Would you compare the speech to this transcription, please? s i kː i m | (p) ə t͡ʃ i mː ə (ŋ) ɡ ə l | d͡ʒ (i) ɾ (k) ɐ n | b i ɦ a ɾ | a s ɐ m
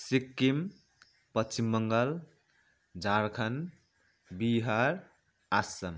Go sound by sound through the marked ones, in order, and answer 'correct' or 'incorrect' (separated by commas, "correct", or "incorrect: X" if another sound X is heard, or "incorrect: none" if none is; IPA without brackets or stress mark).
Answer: correct, correct, incorrect: a, incorrect: kʰ